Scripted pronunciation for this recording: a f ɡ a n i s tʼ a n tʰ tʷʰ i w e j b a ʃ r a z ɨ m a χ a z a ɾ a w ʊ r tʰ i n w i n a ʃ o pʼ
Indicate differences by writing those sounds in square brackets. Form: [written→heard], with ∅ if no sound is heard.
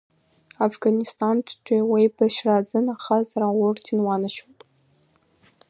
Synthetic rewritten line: a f ɡ a n i s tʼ a n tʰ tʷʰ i w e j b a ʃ r a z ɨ [m→n] a χ a z a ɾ a w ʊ r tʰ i n w [i→a] n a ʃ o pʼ